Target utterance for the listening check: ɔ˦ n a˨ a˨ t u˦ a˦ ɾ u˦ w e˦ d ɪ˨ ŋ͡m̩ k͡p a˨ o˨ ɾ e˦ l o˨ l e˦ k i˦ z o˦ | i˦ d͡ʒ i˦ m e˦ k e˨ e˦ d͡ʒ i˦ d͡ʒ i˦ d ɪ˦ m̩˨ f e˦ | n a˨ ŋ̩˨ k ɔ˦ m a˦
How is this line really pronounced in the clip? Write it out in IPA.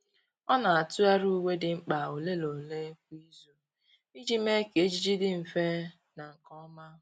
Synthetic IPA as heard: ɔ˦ n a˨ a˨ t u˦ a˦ ɾ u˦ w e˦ d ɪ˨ ŋ͡m̩ k͡p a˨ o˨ l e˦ l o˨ l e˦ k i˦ z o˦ | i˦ d͡ʒ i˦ m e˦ k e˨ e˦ d͡ʒ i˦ d͡ʒ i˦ d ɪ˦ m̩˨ f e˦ | n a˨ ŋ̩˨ k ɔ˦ m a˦